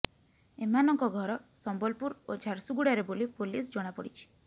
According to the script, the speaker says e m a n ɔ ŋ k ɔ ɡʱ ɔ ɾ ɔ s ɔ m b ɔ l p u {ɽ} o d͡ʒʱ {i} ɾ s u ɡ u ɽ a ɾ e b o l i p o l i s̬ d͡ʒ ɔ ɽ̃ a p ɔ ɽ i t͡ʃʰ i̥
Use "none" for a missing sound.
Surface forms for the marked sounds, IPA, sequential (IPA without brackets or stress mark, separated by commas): ɾ, a